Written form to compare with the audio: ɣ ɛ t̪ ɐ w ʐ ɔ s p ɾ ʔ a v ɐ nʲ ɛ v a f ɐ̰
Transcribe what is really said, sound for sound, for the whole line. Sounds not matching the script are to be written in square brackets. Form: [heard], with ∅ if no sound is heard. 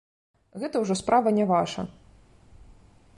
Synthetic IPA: ɣ ɛ t̪ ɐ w ʐ ɔ s p ɾ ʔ a v ɐ nʲ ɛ v a [ʂ] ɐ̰